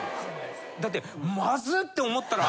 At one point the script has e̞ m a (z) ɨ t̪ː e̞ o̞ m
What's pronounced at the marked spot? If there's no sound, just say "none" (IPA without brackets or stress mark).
z